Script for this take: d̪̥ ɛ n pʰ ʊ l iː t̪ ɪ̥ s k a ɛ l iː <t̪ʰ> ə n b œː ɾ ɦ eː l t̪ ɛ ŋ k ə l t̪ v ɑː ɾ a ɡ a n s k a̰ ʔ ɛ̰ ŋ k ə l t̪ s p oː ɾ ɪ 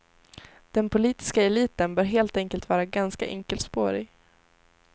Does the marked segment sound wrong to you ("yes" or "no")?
yes